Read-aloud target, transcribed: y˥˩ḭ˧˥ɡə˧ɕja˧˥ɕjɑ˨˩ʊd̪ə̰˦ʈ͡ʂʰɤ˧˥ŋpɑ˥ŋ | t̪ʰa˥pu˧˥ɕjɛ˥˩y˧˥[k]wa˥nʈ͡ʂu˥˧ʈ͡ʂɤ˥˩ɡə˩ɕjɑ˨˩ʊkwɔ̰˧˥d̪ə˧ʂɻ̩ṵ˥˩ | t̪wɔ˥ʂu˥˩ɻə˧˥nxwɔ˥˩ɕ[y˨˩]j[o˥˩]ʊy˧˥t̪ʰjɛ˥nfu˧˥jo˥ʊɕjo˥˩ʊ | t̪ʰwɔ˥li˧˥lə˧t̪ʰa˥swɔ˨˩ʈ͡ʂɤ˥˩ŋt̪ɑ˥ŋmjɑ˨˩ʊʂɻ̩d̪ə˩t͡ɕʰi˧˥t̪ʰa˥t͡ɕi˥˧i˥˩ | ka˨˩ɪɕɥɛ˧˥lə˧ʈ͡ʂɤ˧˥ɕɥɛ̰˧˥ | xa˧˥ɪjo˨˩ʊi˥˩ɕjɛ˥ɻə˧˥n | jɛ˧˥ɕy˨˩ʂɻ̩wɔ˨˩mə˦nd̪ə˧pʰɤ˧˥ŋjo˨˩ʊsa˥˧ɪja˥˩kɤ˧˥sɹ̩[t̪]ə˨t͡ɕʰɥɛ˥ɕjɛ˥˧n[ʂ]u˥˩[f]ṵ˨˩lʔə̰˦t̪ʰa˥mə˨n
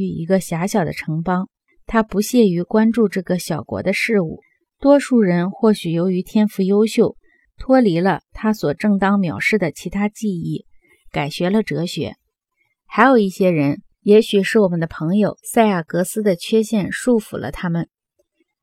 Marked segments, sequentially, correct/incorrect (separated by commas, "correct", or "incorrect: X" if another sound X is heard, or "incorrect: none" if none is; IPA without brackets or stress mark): correct, correct, incorrect: o˧˥, incorrect: d̪, correct, correct